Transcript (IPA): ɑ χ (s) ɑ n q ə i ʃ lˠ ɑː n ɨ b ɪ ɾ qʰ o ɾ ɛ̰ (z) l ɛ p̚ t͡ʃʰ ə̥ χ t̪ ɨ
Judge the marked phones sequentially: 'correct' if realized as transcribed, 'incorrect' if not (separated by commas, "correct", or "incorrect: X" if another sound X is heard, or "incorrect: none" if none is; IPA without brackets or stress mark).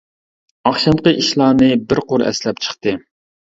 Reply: incorrect: ʃ, incorrect: s